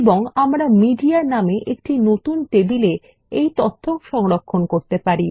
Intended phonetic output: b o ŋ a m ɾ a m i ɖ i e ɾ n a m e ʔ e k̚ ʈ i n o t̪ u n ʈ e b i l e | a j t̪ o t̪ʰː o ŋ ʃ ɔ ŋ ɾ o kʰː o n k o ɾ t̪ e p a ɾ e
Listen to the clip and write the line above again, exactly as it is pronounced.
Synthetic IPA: b o ŋ a m ɾ a m i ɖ i a ɾ n a m e ʔ e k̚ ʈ i n o t̪ u n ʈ e b i l e | e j t̪ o t̪ʰː o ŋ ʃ ɔ ŋ ɾ o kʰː o n k o ɾ t̪ e p a ɾ i